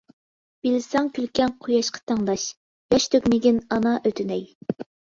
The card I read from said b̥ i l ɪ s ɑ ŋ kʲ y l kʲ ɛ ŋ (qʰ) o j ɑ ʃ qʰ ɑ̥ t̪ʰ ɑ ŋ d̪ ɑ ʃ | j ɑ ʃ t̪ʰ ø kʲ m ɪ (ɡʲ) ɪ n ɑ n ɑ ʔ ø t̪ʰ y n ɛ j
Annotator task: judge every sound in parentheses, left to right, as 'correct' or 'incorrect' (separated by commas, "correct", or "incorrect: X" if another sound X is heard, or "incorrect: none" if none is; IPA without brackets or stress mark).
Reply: correct, correct